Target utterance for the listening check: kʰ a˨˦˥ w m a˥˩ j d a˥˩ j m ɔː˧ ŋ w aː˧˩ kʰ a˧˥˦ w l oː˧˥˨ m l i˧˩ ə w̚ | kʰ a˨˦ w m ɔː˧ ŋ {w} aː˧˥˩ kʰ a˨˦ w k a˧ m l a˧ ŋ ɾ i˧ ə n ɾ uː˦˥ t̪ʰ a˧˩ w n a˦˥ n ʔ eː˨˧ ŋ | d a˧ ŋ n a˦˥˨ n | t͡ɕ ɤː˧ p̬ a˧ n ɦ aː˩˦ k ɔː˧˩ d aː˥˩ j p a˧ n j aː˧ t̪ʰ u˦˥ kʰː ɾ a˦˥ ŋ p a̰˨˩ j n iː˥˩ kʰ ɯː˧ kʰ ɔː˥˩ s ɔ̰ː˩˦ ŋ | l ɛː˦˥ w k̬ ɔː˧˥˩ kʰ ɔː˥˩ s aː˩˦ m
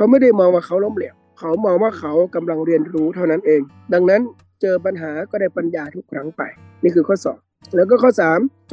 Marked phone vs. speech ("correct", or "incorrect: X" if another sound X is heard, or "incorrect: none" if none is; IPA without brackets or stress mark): correct